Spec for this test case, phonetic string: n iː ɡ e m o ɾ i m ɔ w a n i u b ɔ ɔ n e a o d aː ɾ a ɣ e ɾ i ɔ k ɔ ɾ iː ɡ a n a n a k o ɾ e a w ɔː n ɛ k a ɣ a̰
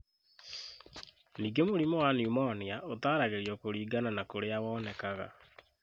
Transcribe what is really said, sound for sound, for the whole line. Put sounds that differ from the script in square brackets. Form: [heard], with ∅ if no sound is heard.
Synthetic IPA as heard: n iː ɡ e m o ɾ i m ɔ w a n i u [m] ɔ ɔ n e a o [t] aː ɾ a ɣ e ɾ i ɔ k [o] ɾ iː ɡ a n a n a k o ɾ e a w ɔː n ɛ k a ɣ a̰